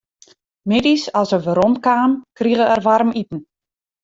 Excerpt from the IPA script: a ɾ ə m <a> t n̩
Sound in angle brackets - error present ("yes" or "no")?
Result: yes